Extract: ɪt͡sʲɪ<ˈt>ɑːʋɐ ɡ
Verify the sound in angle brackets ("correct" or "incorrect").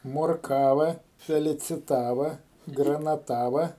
correct